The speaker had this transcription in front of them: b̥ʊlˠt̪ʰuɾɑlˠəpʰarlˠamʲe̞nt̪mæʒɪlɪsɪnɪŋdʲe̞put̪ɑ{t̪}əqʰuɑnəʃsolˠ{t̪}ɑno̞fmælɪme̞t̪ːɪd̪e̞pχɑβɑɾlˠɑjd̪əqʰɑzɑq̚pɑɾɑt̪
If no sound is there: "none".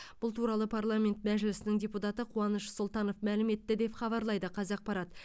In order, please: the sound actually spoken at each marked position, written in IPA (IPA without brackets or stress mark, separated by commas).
t̪, t̪